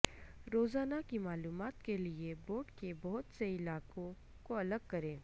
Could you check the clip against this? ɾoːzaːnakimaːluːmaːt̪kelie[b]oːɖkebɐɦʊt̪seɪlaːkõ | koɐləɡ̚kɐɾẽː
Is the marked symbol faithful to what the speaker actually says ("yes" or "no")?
yes